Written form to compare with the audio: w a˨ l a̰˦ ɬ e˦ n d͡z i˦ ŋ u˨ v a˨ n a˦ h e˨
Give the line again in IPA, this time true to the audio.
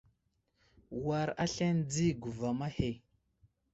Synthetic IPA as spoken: w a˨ ɾ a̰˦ ɬ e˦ n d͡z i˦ ɡ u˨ v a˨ m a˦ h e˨